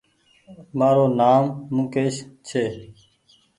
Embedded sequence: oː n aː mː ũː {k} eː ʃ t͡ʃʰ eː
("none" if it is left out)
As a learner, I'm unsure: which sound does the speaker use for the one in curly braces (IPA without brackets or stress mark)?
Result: k